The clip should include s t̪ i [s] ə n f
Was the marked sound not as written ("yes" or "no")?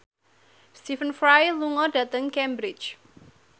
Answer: yes